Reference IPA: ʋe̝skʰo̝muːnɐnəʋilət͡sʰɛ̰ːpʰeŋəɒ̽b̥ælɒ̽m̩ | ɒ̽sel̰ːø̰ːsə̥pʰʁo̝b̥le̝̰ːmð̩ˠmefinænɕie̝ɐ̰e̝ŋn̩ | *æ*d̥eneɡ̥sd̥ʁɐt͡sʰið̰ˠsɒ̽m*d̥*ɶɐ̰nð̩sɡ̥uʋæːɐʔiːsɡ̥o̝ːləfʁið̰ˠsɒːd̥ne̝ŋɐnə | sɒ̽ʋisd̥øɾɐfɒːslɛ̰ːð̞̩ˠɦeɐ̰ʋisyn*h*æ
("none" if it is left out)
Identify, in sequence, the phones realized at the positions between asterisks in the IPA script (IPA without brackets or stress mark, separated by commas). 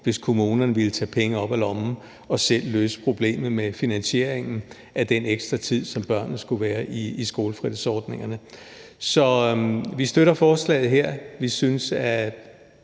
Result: æ, b̥, s